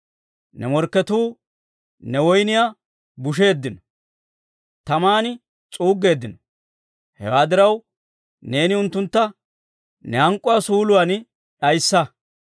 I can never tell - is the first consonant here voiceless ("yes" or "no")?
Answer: no